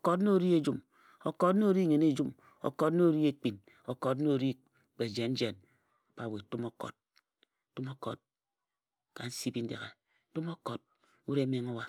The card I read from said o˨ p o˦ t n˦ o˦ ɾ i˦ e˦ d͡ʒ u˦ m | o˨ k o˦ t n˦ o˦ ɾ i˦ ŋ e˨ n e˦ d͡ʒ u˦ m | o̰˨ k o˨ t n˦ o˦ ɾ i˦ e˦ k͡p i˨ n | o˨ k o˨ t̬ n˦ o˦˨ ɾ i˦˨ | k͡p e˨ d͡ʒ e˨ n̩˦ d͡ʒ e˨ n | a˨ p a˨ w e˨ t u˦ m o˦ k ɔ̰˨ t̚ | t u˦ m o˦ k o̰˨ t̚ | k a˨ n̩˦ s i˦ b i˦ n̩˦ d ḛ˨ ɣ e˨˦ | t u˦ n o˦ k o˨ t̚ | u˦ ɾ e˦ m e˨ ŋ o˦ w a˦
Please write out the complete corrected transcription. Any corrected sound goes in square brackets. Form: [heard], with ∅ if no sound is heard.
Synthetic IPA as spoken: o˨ [k] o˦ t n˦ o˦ ɾ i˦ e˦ d͡ʒ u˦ m | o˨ k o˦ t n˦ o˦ ɾ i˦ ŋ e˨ n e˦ d͡ʒ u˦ m | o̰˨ k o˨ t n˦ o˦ ɾ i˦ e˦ k͡p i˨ n | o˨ k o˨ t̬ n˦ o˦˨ ɾ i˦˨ | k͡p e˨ d͡ʒ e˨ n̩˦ d͡ʒ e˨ n | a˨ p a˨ w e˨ t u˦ m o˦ k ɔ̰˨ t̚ | t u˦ m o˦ k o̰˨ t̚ | k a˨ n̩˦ s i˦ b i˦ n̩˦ d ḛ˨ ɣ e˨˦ | t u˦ [m] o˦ k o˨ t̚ | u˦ ɾ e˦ m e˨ ŋ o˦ w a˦

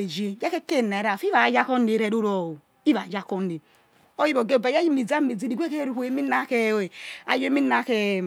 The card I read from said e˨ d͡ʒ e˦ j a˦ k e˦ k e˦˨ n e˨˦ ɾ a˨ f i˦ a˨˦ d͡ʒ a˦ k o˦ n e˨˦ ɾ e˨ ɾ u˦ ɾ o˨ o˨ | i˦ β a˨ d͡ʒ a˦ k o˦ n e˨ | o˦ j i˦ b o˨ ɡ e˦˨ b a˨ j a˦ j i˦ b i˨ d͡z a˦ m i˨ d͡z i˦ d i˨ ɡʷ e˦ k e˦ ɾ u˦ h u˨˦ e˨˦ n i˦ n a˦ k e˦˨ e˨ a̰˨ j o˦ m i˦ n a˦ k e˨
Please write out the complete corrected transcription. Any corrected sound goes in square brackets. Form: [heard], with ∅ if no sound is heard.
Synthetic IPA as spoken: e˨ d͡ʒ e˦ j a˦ k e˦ k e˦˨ n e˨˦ ɾ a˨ f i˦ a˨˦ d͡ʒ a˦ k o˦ n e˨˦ ɾ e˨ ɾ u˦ ɾ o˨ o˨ | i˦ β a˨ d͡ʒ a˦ k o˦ n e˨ | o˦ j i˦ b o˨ ɡ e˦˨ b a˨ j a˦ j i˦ [m] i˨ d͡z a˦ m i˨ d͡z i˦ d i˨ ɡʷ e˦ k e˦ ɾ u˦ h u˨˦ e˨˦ [m] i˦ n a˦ k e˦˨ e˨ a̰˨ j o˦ m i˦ n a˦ k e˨

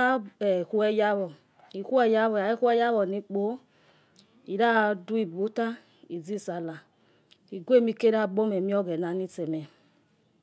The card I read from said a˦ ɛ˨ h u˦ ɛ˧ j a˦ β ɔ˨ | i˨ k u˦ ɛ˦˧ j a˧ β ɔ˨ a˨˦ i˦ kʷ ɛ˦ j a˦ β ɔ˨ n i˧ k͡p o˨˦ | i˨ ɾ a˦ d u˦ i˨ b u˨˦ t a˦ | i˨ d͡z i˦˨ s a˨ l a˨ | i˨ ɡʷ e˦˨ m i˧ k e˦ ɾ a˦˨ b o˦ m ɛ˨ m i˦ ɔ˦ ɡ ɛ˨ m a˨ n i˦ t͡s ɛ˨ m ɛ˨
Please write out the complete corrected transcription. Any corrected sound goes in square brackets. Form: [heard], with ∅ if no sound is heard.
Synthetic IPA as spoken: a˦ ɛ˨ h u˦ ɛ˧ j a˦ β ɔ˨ | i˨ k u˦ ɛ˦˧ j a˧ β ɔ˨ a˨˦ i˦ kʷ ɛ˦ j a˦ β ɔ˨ n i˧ k͡p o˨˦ | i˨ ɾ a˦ d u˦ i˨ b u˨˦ t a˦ | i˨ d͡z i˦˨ s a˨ l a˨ | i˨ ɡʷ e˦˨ m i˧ k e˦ ɾ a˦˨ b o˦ m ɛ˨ m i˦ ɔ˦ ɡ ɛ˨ [n] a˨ n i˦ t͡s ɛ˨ m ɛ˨

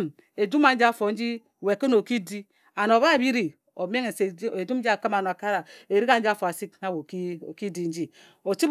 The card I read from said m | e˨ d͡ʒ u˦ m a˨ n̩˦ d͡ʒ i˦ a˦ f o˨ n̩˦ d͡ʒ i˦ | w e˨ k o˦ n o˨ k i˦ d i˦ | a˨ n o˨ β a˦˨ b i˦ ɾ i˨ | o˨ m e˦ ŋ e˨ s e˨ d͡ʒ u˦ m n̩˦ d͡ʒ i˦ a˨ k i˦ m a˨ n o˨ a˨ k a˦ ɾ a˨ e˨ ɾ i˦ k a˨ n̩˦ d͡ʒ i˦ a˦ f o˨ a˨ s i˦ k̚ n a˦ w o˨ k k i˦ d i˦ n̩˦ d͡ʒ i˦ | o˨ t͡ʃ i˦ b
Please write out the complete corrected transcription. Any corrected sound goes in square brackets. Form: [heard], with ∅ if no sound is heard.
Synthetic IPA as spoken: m | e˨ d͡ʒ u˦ m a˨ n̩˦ d͡ʒ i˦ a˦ f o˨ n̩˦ d͡ʒ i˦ | w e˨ k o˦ n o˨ k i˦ d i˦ | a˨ n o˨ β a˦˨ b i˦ ɾ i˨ | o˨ m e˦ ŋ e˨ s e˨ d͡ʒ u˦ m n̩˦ d͡ʒ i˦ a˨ k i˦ m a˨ n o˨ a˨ k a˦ ɾ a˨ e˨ ɾ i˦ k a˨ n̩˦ d͡ʒ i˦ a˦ f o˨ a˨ s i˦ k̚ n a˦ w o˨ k k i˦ d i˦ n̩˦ d͡ʒ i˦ | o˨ t͡ʃ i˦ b

